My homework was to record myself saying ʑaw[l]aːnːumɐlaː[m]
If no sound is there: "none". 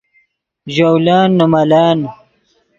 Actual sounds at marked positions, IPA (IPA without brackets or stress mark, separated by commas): l, n